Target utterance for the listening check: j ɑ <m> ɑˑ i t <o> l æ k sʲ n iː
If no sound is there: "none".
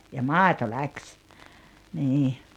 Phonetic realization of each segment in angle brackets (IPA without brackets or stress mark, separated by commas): m, o